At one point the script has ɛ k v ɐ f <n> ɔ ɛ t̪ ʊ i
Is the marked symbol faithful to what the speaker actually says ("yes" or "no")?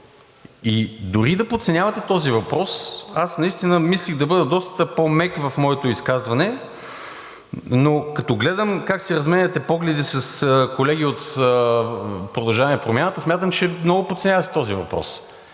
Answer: no